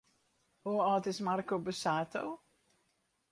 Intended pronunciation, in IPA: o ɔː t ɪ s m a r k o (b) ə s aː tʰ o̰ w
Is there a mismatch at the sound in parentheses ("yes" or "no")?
no